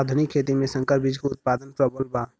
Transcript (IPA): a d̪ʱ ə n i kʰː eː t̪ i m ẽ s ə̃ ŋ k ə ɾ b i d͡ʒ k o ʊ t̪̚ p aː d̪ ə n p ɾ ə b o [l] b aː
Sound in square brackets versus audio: correct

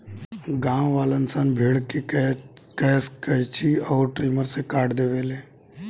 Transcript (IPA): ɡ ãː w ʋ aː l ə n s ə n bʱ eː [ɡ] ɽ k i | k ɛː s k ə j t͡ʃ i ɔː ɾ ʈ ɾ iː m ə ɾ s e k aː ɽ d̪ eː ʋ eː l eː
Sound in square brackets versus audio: incorrect: none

